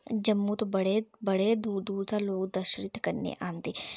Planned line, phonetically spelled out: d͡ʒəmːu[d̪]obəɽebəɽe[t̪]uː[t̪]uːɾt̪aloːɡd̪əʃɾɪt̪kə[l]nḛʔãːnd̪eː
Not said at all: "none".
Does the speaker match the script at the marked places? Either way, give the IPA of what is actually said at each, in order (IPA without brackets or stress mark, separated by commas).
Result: t̪, d̪, d̪, ɾ